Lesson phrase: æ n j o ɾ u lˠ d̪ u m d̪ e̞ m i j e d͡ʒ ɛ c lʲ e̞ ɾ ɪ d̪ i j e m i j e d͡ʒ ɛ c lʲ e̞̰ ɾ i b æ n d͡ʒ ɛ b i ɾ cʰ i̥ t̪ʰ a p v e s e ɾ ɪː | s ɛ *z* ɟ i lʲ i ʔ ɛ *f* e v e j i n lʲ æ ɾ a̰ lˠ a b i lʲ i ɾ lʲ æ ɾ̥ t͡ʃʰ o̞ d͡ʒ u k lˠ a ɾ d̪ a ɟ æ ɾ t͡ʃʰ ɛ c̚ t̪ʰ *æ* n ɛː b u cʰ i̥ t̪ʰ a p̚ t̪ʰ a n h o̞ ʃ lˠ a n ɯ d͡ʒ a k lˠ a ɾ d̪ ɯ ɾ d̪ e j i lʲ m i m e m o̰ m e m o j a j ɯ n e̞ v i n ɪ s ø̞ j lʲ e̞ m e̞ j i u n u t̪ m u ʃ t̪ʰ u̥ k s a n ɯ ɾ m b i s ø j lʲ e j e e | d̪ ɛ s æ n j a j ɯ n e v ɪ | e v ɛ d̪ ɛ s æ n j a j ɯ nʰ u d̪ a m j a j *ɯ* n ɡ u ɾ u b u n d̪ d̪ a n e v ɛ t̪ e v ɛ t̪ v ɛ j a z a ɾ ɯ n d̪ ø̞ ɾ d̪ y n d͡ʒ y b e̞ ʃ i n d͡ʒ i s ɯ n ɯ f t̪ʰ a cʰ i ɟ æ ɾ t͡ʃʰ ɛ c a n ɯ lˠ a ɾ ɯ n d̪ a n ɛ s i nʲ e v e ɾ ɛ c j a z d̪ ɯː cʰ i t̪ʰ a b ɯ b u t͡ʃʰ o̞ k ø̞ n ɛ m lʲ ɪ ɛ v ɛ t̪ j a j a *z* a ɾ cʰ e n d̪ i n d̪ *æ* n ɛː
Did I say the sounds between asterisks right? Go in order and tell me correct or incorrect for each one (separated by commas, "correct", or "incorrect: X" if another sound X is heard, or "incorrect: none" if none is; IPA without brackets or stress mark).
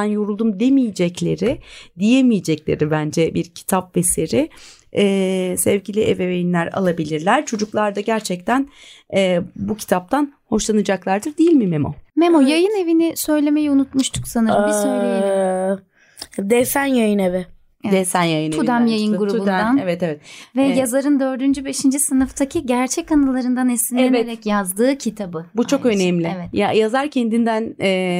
incorrect: v, incorrect: v, correct, correct, correct, correct